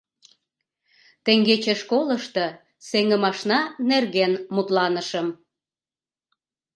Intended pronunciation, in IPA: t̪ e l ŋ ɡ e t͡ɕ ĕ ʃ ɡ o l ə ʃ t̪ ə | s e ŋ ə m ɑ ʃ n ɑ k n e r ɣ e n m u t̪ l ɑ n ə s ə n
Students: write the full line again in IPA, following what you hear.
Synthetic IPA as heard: t̪ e ŋ ɡ e t͡ɕ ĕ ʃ k o l ə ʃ t̪ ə | s e ŋ ə m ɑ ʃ n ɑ n e r ɣ e n m u t̪ l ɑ n ə ʃ ə m